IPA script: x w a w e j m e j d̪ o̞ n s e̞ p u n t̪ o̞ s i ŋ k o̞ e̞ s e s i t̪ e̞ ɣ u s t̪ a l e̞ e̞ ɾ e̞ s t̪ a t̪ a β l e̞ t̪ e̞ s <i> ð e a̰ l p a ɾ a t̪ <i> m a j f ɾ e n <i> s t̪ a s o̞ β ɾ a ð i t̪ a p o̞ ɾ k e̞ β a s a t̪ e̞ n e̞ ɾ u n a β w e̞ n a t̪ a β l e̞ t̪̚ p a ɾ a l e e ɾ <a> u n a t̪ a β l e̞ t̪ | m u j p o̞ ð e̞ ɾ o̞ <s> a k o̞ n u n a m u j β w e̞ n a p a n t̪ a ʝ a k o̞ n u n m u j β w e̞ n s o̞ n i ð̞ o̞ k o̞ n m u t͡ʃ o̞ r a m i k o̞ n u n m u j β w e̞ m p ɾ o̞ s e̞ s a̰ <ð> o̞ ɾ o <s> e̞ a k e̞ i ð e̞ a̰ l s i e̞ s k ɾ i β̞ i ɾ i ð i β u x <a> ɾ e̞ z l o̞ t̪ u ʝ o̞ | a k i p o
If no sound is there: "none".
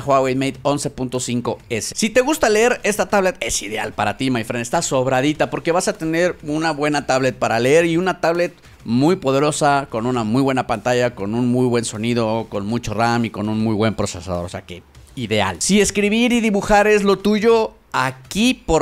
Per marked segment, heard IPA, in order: i, i, e, i, s, ð, s, a

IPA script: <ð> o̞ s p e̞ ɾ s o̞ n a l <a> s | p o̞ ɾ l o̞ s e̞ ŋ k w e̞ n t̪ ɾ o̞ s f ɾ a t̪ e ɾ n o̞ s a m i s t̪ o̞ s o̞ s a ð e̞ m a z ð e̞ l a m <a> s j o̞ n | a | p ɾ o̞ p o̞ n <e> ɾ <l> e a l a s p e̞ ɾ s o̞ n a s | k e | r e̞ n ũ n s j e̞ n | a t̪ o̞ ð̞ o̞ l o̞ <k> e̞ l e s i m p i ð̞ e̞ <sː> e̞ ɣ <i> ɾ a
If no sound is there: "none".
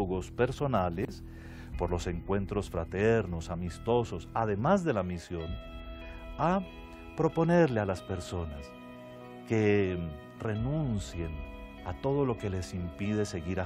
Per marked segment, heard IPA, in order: ɣ, e, i, e, l, k, s, i

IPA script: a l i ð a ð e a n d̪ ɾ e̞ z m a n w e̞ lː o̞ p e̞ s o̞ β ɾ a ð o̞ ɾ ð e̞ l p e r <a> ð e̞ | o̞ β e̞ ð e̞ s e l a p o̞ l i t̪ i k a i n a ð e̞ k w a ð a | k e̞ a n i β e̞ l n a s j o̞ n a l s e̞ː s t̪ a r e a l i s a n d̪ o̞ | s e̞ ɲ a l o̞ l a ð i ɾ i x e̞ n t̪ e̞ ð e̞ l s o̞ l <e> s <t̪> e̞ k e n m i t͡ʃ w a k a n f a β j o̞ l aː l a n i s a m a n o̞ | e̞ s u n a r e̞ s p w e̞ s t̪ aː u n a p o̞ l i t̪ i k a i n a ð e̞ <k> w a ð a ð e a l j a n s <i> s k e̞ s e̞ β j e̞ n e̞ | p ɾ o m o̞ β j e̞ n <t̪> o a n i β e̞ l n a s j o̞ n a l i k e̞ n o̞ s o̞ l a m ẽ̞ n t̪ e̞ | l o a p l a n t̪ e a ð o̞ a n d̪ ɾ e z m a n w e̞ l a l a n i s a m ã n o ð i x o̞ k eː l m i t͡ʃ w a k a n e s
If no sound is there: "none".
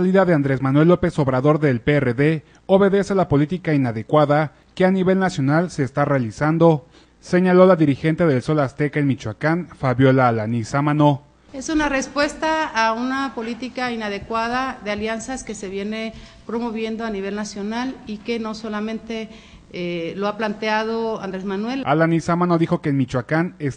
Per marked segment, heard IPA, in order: e, a, t̪, k, a, d̪

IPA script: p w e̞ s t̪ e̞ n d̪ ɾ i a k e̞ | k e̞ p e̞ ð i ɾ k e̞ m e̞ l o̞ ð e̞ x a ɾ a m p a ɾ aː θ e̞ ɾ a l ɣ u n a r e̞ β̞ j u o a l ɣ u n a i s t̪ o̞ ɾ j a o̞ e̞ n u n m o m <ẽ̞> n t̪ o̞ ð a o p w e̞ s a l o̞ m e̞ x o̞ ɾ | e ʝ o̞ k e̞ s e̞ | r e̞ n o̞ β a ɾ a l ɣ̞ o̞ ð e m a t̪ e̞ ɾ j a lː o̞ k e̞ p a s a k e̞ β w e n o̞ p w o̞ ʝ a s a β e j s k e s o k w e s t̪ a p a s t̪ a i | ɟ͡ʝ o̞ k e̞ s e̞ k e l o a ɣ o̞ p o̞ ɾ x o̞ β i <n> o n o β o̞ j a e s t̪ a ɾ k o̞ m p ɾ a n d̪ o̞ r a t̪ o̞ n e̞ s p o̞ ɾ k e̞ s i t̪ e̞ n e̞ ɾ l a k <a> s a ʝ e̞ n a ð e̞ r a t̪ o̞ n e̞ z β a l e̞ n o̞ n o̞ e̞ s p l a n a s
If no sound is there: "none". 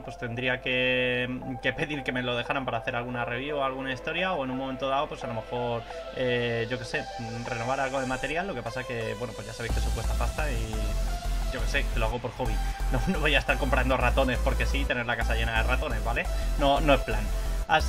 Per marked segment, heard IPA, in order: e̞, n, a

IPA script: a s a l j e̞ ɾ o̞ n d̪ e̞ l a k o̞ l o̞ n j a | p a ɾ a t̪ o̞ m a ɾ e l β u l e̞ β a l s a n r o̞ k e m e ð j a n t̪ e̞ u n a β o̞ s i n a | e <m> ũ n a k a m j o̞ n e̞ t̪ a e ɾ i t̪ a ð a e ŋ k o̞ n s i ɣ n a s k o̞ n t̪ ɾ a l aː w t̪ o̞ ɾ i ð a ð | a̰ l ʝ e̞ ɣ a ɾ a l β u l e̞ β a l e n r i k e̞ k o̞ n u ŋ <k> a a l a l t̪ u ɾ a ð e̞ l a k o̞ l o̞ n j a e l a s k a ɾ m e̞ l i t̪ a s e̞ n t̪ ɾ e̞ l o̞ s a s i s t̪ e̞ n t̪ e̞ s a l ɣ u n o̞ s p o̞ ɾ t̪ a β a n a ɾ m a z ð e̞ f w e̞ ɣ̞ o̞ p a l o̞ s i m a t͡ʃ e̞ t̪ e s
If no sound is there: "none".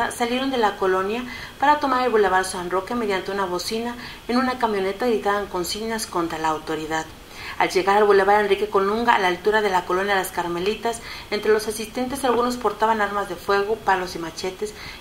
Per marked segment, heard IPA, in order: n, ɡ

